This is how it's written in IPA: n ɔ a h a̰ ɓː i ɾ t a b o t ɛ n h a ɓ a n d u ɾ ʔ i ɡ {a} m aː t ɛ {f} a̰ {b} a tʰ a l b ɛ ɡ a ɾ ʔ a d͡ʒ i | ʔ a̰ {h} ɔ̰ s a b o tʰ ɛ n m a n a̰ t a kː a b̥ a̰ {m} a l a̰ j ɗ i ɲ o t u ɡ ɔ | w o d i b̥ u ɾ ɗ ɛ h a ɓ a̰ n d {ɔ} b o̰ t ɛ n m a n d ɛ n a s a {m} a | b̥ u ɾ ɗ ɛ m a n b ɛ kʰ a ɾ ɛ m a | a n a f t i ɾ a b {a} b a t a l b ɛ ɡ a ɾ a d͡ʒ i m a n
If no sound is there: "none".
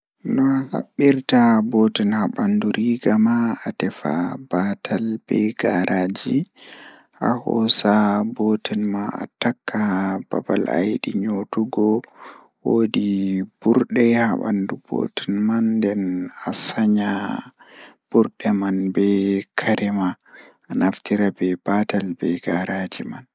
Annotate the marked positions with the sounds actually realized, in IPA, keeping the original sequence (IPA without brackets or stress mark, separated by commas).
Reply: a, f, b, h, b, u, ɲ, ɛ